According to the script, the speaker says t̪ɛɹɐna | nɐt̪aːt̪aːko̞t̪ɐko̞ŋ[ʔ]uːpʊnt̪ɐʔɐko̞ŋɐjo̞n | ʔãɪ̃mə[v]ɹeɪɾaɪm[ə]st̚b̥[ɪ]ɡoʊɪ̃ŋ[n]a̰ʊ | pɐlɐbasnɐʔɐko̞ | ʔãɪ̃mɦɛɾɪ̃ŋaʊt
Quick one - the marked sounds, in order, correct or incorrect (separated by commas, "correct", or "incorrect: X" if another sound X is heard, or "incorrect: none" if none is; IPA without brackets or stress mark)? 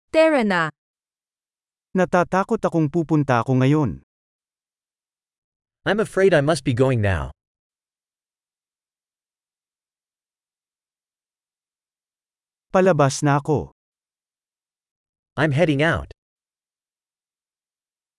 incorrect: p, incorrect: f, incorrect: ʌ, incorrect: i, correct